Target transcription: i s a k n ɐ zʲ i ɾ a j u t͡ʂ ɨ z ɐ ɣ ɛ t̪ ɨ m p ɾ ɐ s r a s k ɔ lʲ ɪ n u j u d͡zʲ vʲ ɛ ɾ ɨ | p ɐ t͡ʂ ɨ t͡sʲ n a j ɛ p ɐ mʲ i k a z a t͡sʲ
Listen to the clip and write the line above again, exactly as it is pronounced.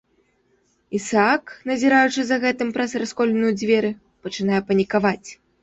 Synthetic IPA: i s a k n ɐ zʲ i ɾ a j u t͡ʂ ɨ z ɐ ɣ ɛ t̪ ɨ m p ɾ ɐ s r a s k ɔ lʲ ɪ n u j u d͡zʲ vʲ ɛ ɾ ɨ | p ɐ t͡ʂ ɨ n a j ɛ p ɐ nʲ i k a v a t͡sʲ